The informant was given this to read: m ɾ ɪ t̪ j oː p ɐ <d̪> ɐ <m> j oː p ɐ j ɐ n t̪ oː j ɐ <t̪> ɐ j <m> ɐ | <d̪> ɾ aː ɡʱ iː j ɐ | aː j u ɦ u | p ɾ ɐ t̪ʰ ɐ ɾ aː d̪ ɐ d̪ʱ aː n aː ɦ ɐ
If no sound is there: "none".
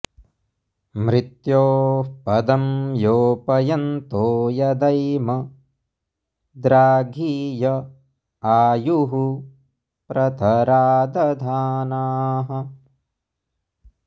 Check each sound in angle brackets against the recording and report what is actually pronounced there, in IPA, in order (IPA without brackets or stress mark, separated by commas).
d̪, m, d̪, m, d̪